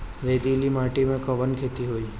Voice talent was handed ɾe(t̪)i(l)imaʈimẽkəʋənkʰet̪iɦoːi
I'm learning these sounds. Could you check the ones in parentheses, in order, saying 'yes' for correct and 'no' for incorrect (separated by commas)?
no, yes